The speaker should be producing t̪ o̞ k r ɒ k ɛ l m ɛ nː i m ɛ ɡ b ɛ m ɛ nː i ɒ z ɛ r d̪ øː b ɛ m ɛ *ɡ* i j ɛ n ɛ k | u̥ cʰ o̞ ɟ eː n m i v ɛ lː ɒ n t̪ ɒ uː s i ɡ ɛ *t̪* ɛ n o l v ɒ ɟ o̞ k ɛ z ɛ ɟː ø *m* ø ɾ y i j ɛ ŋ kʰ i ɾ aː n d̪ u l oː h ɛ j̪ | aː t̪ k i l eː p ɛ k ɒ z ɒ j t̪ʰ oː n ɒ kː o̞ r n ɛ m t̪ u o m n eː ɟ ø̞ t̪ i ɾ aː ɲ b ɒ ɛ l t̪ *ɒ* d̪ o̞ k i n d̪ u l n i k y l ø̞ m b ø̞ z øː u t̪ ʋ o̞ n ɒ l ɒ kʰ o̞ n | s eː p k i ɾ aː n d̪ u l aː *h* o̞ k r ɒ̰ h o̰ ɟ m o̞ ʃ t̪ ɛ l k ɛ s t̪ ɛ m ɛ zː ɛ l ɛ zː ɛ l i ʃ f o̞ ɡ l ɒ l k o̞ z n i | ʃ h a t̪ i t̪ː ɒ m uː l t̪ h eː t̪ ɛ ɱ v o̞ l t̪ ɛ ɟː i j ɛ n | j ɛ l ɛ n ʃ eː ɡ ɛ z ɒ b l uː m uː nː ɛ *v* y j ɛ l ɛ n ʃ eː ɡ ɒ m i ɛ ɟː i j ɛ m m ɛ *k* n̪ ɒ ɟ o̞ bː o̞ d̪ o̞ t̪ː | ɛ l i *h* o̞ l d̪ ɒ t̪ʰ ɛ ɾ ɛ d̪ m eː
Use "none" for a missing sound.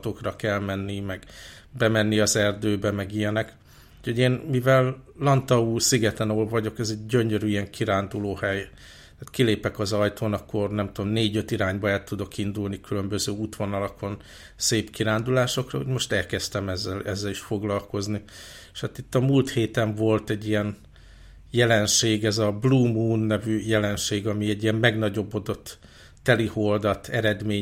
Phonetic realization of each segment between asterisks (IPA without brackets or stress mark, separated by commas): ɡ, t̪, ɲ, u, ʃ, v, ɡ, h